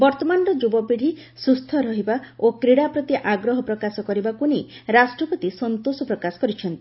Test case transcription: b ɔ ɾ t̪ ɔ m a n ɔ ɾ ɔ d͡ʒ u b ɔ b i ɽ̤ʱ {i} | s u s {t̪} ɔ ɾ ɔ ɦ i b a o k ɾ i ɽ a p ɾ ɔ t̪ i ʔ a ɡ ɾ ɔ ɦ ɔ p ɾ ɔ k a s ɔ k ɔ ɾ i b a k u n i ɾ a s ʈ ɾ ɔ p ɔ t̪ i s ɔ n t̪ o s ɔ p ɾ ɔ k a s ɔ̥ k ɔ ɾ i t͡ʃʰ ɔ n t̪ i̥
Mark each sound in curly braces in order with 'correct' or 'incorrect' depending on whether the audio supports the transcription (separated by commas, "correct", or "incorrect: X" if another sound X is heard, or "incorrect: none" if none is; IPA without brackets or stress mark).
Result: correct, incorrect: t̪ʰ